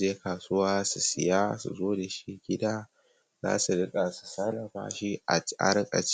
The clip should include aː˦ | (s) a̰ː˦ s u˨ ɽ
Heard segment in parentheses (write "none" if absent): z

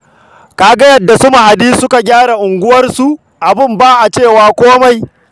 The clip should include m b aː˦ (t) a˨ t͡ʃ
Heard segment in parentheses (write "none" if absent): ʔ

